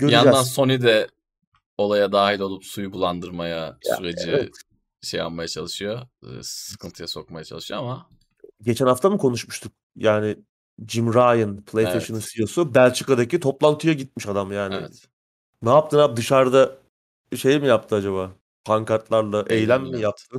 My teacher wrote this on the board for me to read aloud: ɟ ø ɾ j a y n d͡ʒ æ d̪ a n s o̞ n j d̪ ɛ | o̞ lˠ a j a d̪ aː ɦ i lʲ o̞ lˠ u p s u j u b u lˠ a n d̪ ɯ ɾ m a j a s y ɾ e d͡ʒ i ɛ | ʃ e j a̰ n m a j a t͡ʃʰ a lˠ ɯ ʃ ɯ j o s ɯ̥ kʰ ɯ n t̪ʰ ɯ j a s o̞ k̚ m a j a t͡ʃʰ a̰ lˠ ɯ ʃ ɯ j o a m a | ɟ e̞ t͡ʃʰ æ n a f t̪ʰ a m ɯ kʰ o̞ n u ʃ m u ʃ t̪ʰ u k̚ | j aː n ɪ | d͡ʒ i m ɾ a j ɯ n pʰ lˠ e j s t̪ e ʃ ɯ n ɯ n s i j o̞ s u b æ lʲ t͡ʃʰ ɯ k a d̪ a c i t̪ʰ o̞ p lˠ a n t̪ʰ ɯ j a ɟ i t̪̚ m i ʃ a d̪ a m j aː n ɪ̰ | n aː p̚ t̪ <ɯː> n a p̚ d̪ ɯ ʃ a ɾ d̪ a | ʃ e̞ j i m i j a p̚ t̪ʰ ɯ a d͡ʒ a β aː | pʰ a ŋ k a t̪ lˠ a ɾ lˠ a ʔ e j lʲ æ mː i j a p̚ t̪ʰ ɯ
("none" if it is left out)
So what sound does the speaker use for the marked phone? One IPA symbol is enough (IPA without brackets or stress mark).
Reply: ɯ